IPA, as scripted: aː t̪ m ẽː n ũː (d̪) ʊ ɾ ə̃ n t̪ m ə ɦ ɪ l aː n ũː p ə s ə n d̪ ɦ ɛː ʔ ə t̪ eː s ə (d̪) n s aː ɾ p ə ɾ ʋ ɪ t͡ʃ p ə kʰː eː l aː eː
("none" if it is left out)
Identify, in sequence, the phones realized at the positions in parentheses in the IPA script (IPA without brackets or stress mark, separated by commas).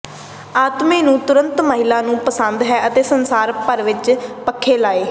t̪, none